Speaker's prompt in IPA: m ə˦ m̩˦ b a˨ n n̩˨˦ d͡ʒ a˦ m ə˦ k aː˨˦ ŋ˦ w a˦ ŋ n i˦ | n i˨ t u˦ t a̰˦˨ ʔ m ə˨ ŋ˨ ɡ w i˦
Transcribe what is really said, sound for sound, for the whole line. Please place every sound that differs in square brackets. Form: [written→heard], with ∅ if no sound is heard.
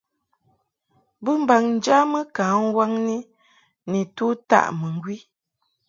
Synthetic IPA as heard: [m→b] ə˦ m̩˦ b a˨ [n→ŋ] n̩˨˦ d͡ʒ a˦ m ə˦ k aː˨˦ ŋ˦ w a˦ ŋ n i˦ | n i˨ t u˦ t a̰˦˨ ʔ m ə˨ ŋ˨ ɡ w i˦